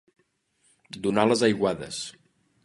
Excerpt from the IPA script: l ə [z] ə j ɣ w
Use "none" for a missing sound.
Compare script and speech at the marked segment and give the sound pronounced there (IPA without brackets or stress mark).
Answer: z